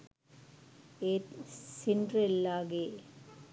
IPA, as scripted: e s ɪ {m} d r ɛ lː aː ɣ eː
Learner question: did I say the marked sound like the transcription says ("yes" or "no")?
no